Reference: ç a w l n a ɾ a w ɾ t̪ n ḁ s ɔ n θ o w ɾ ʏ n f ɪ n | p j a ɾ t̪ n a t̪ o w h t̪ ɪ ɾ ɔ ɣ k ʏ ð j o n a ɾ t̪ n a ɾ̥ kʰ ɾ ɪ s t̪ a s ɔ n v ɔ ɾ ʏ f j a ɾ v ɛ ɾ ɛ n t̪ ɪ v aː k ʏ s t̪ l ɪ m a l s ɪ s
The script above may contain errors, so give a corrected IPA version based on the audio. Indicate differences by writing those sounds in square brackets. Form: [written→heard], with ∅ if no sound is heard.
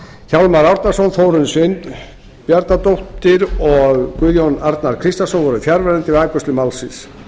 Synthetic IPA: ç a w l [n→m] a ɾ a w ɾ t̪ n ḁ s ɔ n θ o w ɾ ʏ n [f→s] ɪ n | p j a ɾ t̪ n a t̪ o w h t̪ ɪ ɾ ɔ ɣ k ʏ ð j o n a ɾ t̪ n a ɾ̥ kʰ ɾ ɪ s t̪ a s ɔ n v ɔ ɾ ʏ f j a ɾ v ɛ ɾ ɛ n t̪ ɪ v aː k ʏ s t̪ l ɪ m a l s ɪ s